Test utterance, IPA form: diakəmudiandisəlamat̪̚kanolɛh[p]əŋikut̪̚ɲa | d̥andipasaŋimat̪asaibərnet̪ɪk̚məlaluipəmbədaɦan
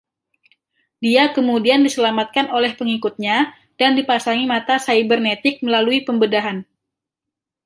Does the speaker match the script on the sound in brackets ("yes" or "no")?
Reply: yes